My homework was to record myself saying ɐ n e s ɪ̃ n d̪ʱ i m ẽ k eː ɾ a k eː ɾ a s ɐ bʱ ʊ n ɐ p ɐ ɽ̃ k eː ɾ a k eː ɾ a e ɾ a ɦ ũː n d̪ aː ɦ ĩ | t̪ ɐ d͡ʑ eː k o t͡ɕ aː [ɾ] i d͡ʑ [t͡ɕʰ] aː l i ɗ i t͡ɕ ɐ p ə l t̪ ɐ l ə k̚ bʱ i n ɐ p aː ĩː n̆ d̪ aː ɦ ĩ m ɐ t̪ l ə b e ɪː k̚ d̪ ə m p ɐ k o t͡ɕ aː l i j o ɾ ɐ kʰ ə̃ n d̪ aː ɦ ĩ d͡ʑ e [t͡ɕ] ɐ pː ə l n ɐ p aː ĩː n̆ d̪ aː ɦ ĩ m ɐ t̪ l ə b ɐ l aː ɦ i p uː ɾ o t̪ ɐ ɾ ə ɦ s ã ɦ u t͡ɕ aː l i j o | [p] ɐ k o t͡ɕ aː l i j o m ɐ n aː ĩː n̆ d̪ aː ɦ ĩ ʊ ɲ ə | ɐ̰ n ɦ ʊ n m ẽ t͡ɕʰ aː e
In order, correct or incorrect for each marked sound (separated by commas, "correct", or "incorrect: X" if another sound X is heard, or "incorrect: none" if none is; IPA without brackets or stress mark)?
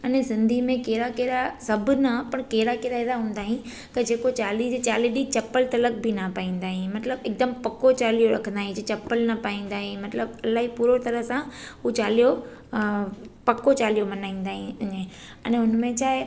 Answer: incorrect: l, incorrect: t͡ɕ, correct, correct